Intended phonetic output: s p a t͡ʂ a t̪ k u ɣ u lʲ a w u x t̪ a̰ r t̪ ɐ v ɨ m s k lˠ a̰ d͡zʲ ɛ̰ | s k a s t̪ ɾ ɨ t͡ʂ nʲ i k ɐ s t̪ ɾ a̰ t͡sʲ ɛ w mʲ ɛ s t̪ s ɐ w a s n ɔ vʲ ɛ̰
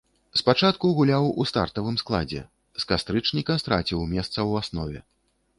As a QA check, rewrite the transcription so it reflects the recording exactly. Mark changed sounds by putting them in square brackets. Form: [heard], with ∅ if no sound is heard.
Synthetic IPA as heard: s p a t͡ʂ a t̪ k u ɣ u lʲ a w u [s] t̪ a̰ r t̪ ɐ v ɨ m s k lˠ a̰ d͡zʲ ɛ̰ | s k a s t̪ ɾ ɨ t͡ʂ nʲ i k ɐ s t̪ ɾ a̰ t͡sʲ [i] w mʲ ɛ s t̪ s ɐ w a s n ɔ vʲ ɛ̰